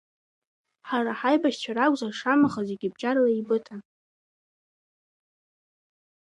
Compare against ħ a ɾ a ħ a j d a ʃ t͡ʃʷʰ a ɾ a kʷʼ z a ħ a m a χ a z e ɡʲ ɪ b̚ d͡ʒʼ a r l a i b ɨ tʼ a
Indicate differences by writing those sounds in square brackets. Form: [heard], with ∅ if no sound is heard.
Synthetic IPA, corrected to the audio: ħ a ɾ a ħ a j [b] a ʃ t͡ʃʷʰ a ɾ a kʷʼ z a [ʂ] a m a χ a z e ɡʲ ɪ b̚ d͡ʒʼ a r l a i b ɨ tʼ a